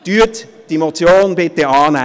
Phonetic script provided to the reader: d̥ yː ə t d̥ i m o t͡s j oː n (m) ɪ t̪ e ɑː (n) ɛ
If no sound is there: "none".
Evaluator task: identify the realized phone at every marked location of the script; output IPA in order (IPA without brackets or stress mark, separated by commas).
b, n